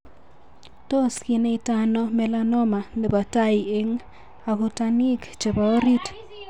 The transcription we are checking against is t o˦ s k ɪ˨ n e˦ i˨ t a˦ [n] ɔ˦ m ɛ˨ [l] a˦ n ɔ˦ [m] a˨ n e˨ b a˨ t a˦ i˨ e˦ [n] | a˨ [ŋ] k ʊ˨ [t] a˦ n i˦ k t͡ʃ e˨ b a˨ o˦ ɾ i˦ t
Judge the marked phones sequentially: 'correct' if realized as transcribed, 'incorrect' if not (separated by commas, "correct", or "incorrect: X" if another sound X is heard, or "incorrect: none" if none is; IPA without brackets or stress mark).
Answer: correct, correct, correct, incorrect: ŋ, incorrect: none, correct